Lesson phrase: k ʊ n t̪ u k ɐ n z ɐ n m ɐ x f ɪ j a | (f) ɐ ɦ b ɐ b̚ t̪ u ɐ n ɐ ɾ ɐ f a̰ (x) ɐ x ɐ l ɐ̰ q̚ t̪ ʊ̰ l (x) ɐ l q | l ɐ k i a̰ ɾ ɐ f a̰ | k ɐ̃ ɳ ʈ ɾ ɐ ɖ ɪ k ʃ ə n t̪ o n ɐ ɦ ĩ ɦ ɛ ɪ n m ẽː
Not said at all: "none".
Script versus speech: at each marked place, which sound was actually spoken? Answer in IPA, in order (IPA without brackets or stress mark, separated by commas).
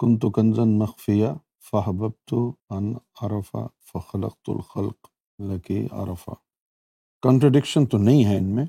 f, f, x